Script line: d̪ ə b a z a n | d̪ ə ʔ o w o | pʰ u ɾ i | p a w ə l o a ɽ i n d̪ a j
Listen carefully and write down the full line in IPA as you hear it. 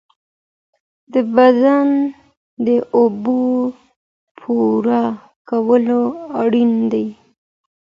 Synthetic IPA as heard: d̪ ə b a z a n | d̪ ə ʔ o b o | pʰ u ɾ a | k a w ə l o a ɽ i n d̪ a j